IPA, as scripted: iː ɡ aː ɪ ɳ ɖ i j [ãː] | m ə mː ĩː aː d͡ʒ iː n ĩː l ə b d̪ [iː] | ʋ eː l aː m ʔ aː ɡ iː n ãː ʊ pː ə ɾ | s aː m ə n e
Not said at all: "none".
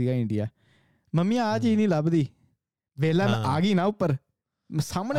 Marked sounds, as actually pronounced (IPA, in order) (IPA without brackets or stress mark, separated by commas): aː, iː